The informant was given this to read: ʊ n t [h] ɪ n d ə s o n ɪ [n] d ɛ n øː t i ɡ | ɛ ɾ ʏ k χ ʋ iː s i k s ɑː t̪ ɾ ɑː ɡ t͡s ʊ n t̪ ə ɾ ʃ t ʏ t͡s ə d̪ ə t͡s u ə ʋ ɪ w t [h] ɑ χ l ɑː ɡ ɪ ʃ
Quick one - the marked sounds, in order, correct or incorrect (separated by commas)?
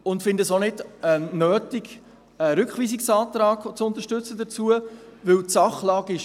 incorrect, incorrect, incorrect